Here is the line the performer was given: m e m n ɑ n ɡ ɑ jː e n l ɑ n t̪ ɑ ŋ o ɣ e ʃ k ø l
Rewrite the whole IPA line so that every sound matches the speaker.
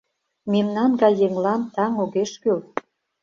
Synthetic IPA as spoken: m e m n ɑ n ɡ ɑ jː e ŋ l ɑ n t̪ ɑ ŋ o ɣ e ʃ k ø l